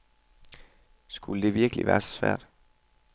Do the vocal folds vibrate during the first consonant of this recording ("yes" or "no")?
no